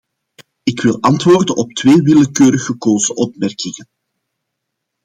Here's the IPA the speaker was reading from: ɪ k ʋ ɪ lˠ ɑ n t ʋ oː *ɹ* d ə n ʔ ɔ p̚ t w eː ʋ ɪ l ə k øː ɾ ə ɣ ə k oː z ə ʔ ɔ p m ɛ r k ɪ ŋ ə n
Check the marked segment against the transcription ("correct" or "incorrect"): incorrect